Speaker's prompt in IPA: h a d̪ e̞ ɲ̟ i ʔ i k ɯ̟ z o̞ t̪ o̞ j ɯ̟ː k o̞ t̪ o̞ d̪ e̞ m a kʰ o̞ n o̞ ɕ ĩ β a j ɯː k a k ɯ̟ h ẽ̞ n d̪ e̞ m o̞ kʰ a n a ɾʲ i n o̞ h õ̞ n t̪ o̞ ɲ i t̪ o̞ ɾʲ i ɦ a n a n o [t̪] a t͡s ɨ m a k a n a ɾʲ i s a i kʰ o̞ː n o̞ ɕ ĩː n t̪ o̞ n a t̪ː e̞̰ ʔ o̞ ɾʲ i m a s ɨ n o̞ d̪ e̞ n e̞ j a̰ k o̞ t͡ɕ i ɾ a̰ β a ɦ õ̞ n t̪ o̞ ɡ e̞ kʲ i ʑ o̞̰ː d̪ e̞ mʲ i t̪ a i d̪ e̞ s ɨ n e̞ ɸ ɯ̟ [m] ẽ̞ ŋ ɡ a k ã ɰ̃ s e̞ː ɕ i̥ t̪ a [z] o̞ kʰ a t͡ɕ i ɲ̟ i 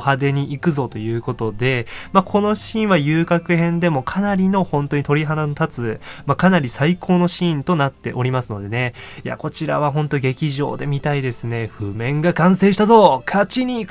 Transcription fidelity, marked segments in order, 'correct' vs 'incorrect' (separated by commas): correct, correct, correct